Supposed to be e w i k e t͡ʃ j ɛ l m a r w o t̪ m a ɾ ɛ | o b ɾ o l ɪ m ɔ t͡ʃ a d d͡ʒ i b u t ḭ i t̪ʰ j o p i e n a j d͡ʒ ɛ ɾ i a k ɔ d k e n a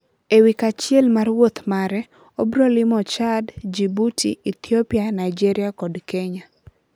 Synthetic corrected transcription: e w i k a t͡ʃ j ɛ l m a r w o t̪ m a ɾ ɛ | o b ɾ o l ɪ m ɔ t͡ʃ a d d͡ʒ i b u t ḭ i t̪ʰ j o p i a n a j d͡ʒ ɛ ɾ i a k ɔ d k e ɲ a

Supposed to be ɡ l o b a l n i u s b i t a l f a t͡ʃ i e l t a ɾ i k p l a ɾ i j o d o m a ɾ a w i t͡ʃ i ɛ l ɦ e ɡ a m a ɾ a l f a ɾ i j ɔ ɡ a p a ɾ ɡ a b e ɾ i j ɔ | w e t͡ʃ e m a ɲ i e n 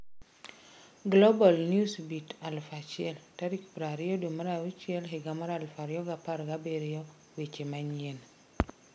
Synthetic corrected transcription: ɡ l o b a l n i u s b i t a l f a t͡ʃ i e l t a ɾ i k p ɾ a ɾ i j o d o m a ɾ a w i t͡ʃ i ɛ l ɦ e ɡ a m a ɾ a l f a ɾ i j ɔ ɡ a p a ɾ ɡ a b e ɾ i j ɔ | w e t͡ʃ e m a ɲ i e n

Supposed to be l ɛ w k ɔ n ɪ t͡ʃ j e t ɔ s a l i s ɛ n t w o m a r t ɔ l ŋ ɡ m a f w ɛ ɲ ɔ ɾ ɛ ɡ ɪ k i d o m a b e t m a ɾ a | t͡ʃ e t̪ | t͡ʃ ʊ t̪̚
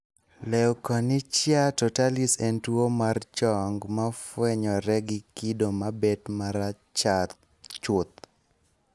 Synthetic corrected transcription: l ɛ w k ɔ n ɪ t͡ʃ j a t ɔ t a l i s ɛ n t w o m a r t͡ʃ ɔ ŋ ɡ m a f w ɛ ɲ ɔ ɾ ɛ ɡ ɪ k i d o m a b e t m a ɾ a | t͡ʃ a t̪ | t͡ʃ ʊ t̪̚

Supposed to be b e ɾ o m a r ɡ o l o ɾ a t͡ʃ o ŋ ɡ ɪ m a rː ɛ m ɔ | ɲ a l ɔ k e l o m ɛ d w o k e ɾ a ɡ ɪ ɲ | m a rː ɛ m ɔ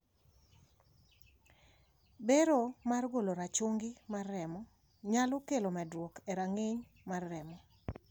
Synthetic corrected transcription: b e ɾ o m a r ɡ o l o ɾ a t͡ʃ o ŋ ɡ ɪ m a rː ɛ m ɔ | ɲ a l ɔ k e l o m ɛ d w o k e ɾ a ŋ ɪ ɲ | m a rː ɛ m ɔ

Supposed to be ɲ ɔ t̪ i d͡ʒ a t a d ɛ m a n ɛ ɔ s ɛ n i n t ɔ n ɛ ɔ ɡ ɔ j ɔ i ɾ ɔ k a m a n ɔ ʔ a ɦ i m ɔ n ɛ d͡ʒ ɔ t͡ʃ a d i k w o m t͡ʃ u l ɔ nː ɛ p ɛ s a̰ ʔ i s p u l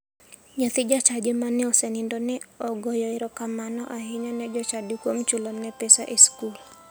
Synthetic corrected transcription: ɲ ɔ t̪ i d͡ʒ a t͡ʃ a d͡ʒ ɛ m a n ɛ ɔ s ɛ n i n d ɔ n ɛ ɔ ɡ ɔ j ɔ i ɾ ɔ k a m a n ɔ ʔ a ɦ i ɲ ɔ n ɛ d͡ʒ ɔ t͡ʃ a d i k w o m t͡ʃ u l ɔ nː ɛ p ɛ s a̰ ʔ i s k u l

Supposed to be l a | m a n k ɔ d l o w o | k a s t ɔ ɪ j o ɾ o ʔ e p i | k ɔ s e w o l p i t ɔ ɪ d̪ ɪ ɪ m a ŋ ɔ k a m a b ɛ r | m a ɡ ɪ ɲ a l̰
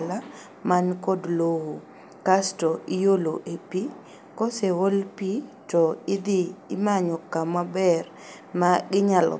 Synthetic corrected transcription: l a | m a n k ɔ d l o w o | k a s t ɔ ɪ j o l o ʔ e p i | k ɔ s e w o l p i t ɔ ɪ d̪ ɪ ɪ m a ɲ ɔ k a m a b ɛ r | m a ɡ ɪ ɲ a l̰

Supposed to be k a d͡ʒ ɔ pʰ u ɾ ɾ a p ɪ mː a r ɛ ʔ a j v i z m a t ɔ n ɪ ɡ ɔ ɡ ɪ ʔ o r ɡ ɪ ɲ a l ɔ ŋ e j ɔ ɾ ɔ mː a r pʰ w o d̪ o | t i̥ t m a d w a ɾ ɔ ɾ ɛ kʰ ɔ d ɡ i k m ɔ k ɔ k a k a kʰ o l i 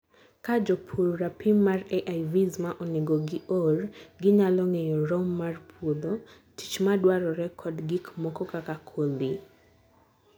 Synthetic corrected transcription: k a d͡ʒ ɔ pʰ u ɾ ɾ a p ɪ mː a r ɛ ʔ a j v i z m a ʔ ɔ n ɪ ɡ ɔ ɡ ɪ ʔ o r ɡ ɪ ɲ a l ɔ ŋ e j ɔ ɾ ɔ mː a r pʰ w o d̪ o | t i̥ t͡ʃ m a d w a ɾ ɔ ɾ ɛ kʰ ɔ d ɡ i k m ɔ k ɔ k a k a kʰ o l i

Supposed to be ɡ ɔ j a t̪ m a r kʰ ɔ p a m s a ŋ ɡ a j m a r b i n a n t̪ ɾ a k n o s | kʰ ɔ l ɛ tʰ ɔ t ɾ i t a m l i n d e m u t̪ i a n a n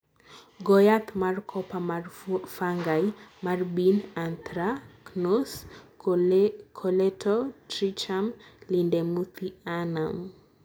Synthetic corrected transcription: ɡ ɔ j a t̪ m a r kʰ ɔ p a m f a ŋ ɡ a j m a r b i n a n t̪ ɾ a k n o s | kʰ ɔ l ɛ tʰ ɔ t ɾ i t͡ʃ a m l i n d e m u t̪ i a n a m

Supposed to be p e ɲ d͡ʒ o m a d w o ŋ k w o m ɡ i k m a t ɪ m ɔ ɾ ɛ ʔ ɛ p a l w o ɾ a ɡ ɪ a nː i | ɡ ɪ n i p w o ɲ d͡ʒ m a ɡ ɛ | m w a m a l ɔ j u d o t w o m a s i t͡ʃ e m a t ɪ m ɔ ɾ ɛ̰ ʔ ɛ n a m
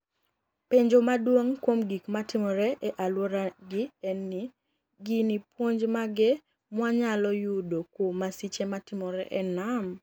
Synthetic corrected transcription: p e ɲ d͡ʒ o m a d w o ŋ k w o m ɡ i k m a t ɪ m ɔ ɾ ɛ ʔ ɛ ʔ a l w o ɾ a ɡ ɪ ɛ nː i | ɡ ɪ n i p w o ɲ d͡ʒ m a ɡ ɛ | m w a ɲ a l ɔ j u d o k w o m a s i t͡ʃ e m a t ɪ m ɔ ɾ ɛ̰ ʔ ɛ n a m

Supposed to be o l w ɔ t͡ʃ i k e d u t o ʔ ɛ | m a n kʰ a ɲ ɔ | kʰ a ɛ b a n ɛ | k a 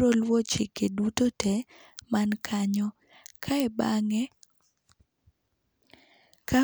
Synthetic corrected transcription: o l w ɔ t͡ʃ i k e d u t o t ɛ | m a n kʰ a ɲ ɔ | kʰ a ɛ b a ŋ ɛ | k a

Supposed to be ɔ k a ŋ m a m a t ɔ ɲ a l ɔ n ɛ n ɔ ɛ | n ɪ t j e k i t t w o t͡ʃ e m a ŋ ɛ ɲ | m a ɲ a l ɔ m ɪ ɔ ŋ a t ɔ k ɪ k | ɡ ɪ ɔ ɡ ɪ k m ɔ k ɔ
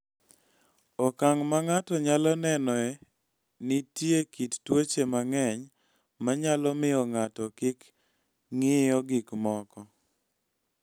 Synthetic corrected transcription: ɔ k a ŋ m a ŋ a t ɔ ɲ a l ɔ n ɛ n ɔ ɛ | n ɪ t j e k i t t w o t͡ʃ e m a ŋ ɛ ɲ | m a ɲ a l ɔ m ɪ ɔ ŋ a t ɔ k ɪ k | ŋ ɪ ɔ ɡ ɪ k m ɔ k ɔ

